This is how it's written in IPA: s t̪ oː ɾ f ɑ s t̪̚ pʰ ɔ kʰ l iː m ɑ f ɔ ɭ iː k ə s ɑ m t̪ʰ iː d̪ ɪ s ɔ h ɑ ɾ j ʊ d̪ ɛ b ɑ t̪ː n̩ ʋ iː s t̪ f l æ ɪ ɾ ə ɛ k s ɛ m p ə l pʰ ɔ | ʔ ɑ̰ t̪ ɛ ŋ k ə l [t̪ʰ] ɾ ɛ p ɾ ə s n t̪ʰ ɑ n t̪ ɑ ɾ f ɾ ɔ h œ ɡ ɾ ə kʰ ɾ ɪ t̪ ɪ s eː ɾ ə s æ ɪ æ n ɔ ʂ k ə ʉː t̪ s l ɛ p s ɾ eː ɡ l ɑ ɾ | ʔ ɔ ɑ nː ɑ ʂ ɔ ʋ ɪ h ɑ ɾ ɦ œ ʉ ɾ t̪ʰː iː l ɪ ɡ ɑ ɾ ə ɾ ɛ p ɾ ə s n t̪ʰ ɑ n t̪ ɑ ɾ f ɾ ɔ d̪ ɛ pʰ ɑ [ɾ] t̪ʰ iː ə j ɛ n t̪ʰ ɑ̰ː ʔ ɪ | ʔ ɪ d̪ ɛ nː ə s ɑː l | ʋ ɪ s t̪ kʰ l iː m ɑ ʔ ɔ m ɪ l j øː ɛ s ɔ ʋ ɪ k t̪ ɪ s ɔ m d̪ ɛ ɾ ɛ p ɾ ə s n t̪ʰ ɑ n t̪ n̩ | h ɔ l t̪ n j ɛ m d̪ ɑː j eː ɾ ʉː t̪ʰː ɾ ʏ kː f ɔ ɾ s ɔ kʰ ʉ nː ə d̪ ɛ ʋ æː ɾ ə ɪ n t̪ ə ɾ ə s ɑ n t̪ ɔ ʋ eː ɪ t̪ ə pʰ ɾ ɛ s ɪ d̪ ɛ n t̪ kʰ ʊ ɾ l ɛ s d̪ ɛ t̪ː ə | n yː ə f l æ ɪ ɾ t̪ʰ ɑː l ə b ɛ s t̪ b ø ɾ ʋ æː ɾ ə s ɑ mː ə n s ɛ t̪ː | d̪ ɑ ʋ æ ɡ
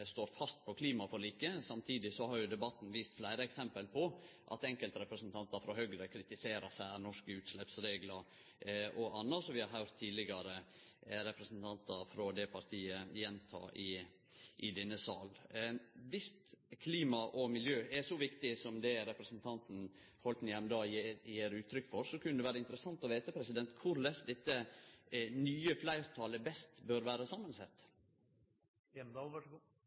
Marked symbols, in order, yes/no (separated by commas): no, yes